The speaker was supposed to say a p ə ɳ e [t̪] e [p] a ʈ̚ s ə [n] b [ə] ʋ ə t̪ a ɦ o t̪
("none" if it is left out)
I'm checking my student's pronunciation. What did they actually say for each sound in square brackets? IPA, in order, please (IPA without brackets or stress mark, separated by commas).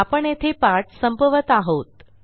t̪ʰ, p, m, ə